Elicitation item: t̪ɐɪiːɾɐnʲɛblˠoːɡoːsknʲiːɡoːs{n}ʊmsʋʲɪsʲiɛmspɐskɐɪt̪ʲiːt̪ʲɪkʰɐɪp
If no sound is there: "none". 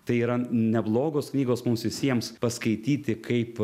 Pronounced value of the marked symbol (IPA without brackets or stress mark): m